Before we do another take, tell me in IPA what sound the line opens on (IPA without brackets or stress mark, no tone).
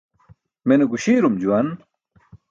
m